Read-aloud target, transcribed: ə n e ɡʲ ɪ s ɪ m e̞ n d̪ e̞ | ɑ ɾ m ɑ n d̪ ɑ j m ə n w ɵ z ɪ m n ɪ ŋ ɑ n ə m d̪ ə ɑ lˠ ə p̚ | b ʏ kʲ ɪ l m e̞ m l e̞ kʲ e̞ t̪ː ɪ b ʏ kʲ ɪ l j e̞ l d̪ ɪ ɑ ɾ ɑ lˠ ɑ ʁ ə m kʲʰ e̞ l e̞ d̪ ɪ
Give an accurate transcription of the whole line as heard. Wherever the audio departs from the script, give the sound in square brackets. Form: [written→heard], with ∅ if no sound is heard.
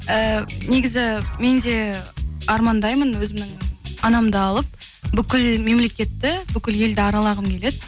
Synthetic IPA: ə n e ɡʲ ɪ [s→z] ɪ m e̞ n d̪ e̞ | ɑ ɾ m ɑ n d̪ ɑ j m ə n w ɵ z ɪ m n ɪ ŋ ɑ n [ə→ɑ] m d̪ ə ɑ lˠ ə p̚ | b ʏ kʲ ɪ l m e̞ m l e̞ kʲ e̞ t̪ː ɪ b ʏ kʲ ɪ l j e̞ l d̪ ɪ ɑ ɾ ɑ lˠ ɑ ʁ ə m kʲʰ e̞ l e̞ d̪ ɪ